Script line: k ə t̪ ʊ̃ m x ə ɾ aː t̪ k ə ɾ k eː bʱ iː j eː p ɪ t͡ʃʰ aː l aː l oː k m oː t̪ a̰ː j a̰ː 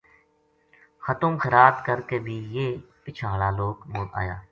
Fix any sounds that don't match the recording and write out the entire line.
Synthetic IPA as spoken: x ə t̪ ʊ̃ m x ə ɾ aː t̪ k ə ɾ k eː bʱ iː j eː p ɪ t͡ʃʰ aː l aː l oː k m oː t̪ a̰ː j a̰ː